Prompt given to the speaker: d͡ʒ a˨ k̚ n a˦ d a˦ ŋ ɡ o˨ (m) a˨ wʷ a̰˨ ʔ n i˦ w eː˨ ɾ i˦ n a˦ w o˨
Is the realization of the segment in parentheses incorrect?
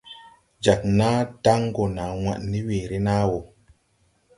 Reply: yes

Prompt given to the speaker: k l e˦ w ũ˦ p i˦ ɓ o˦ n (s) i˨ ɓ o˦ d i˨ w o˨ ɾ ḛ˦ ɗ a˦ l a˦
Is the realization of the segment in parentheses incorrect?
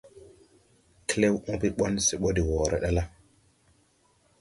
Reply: no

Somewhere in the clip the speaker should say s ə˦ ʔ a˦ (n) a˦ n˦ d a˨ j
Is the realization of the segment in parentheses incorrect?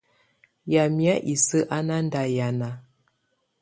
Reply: no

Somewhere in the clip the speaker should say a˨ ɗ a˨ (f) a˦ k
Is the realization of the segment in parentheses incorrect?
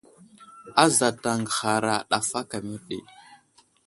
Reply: no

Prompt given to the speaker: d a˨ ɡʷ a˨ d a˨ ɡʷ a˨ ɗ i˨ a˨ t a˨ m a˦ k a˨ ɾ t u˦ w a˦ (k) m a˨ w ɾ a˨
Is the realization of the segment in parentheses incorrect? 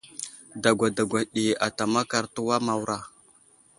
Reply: yes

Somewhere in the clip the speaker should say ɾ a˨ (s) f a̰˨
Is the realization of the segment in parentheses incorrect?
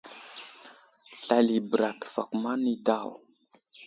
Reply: yes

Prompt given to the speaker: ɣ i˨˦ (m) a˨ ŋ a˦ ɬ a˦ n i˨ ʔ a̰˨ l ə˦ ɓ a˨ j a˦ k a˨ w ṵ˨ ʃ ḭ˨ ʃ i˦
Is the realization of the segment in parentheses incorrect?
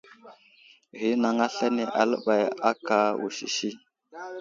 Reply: yes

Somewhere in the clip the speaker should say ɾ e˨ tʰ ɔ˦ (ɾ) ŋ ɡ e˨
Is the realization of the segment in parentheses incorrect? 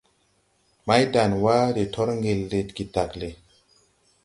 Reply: no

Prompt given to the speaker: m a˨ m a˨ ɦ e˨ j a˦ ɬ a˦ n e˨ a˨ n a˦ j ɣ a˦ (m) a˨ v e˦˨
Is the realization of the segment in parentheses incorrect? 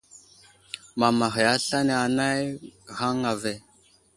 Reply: yes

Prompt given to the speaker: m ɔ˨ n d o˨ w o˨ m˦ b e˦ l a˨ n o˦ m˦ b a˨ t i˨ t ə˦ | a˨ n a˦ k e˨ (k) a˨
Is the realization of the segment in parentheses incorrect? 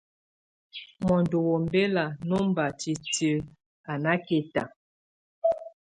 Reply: yes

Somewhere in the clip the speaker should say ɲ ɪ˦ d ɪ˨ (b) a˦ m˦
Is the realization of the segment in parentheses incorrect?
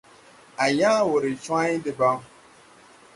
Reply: no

